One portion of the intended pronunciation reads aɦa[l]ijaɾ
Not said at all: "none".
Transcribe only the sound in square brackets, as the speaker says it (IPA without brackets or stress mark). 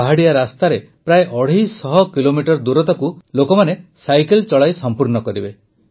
ɽ